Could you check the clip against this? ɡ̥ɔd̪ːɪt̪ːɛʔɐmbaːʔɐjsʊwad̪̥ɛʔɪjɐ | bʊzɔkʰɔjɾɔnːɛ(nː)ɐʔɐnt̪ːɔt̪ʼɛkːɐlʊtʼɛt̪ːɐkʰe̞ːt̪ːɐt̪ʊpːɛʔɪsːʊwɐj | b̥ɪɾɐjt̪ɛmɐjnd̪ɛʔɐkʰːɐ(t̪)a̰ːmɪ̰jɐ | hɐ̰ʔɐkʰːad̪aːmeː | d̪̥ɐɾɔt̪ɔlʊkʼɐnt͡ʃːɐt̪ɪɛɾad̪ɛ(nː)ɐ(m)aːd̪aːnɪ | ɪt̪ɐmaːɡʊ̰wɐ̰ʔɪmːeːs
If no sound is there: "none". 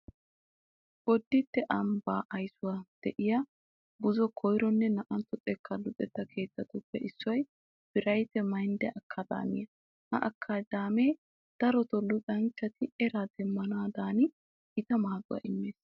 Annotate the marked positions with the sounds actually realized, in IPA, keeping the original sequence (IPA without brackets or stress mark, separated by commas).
n, d̪, mː, n